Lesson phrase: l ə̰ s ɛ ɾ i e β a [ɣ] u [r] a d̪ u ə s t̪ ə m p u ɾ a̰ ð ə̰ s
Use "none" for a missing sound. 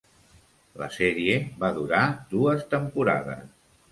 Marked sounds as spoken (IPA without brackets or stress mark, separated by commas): ð, ɾ